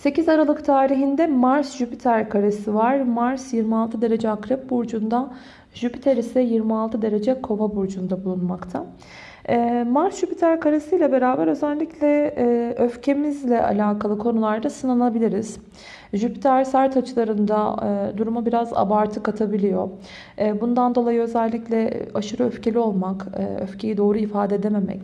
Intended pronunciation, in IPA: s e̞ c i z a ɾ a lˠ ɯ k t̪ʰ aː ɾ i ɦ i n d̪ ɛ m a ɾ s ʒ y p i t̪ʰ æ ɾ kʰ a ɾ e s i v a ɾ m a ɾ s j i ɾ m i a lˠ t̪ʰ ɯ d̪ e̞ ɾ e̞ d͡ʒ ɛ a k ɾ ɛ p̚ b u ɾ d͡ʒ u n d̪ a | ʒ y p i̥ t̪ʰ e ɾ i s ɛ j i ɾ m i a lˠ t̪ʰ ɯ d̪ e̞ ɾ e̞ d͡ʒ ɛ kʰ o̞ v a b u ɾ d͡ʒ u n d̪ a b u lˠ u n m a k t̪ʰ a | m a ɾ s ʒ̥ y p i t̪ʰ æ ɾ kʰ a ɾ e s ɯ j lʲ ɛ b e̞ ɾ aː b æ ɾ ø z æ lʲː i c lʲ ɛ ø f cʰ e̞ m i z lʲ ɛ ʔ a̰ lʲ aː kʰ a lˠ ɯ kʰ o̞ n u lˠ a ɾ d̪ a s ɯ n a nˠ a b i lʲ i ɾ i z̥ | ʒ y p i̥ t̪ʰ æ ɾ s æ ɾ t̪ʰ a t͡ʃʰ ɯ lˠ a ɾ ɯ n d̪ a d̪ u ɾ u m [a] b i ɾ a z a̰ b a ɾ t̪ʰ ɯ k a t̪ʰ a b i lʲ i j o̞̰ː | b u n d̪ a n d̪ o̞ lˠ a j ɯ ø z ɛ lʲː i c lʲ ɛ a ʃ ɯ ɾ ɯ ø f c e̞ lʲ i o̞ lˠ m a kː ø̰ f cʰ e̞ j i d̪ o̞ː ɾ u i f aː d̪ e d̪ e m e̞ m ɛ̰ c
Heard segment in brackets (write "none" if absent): a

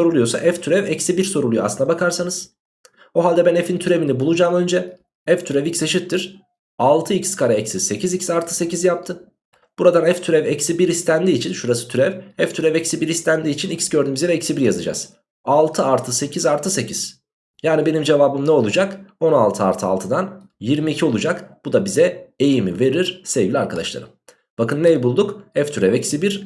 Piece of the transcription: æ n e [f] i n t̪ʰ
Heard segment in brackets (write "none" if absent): f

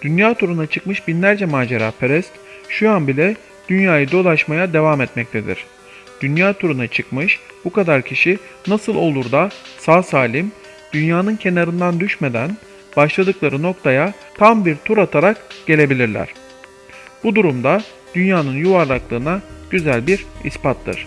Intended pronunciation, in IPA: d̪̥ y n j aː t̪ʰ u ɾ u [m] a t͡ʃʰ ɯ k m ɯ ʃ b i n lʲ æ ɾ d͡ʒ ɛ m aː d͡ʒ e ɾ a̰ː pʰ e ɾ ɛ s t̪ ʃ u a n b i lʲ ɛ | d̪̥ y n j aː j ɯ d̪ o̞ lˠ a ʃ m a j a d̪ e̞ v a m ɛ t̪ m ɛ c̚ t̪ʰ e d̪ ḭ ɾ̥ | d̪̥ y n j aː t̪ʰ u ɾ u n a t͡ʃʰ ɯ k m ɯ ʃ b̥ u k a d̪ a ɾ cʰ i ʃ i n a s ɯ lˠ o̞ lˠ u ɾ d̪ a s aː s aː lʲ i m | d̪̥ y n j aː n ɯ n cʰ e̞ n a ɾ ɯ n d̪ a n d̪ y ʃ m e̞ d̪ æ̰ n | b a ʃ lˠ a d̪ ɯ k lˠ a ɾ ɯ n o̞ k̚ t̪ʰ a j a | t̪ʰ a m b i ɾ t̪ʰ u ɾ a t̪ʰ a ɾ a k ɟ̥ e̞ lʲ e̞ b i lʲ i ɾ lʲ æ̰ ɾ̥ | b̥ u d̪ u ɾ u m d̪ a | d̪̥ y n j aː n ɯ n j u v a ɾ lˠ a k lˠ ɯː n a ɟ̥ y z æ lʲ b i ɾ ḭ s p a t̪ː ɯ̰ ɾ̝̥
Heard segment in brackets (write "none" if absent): n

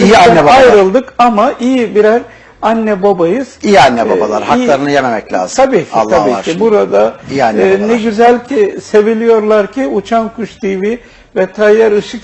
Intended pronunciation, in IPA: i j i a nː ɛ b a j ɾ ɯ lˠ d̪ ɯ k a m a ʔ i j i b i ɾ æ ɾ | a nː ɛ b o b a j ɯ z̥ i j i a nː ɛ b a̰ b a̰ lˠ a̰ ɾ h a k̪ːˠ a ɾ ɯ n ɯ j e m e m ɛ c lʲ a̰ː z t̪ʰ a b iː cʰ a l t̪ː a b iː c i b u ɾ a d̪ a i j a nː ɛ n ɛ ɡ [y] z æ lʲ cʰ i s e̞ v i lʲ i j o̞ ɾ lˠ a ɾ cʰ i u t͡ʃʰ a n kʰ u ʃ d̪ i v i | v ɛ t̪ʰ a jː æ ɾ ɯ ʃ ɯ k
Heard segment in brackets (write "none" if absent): y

